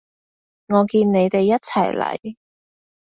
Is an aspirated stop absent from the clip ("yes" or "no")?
no